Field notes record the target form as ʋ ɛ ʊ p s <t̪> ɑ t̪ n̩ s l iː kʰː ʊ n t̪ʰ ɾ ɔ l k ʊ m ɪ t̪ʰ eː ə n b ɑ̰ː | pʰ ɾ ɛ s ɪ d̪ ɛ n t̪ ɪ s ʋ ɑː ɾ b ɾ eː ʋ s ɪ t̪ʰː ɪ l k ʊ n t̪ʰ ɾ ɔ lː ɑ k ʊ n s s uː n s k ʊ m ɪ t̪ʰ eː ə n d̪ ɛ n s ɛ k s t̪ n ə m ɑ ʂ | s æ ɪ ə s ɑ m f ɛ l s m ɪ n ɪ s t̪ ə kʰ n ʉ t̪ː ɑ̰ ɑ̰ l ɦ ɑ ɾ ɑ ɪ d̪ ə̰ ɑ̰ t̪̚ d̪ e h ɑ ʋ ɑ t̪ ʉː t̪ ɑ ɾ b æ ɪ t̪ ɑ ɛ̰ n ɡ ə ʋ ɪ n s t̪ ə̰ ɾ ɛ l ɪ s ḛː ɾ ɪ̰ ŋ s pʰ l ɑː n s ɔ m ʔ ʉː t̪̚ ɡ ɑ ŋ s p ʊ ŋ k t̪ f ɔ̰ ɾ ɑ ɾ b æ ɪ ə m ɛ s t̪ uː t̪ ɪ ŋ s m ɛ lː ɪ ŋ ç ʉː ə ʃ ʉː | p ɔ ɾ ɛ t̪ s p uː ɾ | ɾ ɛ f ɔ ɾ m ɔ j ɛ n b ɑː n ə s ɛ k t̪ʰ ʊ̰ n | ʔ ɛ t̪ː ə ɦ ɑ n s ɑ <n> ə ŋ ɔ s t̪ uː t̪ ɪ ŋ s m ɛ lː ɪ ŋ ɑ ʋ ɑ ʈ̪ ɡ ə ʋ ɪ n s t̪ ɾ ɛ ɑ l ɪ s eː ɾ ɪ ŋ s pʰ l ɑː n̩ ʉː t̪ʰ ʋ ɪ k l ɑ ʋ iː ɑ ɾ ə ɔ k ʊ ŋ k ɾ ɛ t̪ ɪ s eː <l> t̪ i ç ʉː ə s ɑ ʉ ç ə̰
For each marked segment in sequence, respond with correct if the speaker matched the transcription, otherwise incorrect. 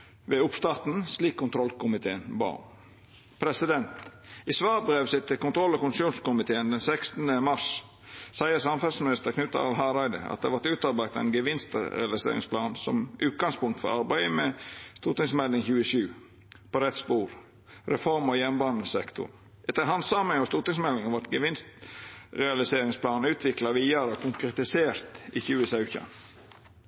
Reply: correct, incorrect, incorrect

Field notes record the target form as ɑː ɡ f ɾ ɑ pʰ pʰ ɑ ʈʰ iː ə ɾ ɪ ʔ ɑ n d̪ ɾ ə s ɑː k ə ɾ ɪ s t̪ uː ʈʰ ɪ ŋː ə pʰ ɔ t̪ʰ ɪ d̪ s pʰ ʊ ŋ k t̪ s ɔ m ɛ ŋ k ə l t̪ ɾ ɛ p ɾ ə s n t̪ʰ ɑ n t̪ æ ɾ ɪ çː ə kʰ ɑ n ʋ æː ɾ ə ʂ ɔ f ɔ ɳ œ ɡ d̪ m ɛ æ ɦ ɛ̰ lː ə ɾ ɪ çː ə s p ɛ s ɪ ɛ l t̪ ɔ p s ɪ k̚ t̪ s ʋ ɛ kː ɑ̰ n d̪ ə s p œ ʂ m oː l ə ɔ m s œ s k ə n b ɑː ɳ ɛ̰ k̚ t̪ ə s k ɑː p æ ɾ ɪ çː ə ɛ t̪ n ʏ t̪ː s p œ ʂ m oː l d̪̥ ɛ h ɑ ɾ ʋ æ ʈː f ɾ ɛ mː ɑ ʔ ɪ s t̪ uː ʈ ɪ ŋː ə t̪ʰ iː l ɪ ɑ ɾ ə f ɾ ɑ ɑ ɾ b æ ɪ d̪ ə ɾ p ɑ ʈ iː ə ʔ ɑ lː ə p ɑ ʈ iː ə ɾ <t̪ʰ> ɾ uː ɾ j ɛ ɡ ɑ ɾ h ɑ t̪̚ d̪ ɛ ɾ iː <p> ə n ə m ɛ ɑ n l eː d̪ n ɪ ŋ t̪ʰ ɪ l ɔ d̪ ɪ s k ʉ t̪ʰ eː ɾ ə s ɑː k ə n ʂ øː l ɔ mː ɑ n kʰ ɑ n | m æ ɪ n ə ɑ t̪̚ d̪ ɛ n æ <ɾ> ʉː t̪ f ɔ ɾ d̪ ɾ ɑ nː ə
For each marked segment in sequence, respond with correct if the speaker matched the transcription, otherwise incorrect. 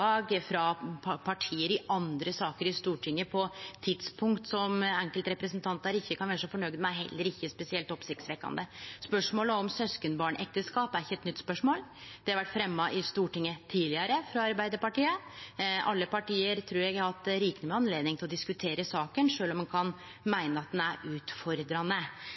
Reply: correct, incorrect, correct

